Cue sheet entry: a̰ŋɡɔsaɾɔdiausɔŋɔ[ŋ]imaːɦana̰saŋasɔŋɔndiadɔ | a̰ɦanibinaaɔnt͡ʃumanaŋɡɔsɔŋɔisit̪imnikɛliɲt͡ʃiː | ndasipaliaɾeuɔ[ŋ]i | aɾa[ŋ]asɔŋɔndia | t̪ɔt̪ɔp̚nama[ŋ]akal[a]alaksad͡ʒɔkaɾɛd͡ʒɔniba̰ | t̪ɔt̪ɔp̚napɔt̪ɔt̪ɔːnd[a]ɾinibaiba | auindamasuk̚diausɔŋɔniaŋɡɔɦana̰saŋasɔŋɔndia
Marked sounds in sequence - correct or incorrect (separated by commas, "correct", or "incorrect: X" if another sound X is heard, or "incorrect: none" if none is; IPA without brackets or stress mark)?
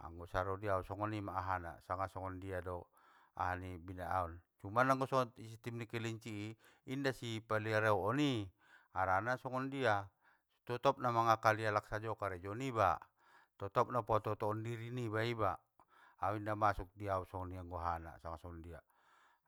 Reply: incorrect: n, incorrect: n, incorrect: n, correct, incorrect: i, incorrect: i